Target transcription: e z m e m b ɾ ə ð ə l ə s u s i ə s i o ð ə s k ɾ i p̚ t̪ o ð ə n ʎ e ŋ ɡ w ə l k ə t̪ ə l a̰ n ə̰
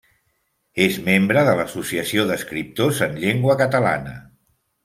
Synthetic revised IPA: e z m e m b ɾ ə ð ə l ə s u s i ə s i o ð ə s k ɾ i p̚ t̪ o z ə n ʎ e ŋ ɡ w ə k ə t̪ ə l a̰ n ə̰